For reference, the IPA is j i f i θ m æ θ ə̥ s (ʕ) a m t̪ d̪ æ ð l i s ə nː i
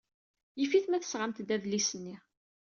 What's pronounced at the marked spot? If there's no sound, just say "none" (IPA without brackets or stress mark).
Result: ʁ